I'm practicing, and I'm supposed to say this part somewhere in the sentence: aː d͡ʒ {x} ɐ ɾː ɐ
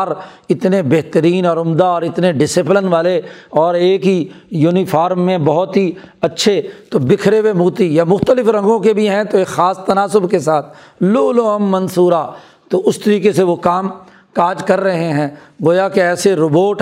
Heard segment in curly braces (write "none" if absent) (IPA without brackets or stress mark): k